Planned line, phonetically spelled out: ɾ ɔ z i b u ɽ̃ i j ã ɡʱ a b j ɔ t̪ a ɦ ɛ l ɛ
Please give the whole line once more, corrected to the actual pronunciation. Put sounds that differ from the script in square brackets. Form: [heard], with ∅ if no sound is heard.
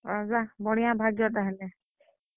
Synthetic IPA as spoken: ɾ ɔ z [a] b [ɔ] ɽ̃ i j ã [bʱ] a [ɡ] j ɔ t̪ a ɦ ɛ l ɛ